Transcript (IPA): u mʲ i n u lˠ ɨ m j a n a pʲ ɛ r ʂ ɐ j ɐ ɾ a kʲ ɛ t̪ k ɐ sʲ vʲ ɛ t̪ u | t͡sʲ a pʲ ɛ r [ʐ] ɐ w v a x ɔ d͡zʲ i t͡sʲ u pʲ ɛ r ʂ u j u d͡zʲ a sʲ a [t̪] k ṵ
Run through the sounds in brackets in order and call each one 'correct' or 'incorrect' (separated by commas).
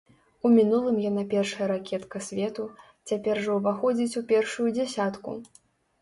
correct, correct